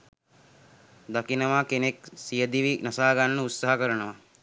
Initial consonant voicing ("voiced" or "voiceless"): voiced